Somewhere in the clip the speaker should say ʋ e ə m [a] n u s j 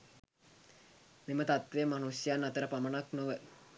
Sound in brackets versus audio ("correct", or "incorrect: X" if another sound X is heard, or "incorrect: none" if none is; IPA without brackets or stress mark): correct